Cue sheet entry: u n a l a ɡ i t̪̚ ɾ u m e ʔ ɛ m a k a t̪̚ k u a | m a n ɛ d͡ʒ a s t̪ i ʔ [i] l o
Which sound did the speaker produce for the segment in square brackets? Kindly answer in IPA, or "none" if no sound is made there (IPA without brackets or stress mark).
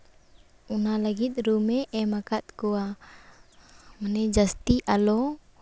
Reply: a